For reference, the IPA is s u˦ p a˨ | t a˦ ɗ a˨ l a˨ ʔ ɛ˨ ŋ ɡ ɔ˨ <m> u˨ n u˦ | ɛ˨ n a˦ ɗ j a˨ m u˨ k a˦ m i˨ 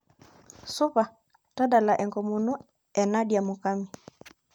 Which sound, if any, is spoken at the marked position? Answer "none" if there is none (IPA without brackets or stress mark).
m